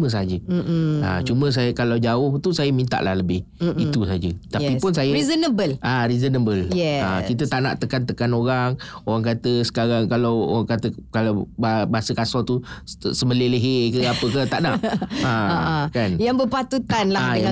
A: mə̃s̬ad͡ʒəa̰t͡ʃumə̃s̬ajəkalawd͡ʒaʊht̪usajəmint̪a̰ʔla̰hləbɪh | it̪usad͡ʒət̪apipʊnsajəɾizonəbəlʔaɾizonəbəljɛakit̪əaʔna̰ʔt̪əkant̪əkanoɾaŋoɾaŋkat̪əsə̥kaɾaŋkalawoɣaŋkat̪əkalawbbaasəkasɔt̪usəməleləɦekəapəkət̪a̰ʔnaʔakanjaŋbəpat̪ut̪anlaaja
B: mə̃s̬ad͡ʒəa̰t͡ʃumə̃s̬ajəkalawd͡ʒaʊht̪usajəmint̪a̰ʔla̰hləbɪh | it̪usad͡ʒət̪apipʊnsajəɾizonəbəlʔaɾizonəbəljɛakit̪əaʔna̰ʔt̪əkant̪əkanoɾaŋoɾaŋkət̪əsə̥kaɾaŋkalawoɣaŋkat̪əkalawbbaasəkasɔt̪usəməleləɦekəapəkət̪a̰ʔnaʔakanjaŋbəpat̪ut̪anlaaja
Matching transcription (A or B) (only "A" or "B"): A